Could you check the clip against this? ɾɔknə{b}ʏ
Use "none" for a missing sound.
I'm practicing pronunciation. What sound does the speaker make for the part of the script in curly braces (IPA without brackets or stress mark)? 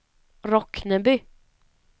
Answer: b